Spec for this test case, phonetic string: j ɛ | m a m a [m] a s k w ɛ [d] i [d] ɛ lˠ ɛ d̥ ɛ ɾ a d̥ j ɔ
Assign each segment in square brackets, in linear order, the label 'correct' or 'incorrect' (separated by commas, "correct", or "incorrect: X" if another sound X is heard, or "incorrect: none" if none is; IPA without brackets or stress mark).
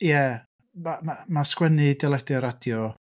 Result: correct, incorrect: n, correct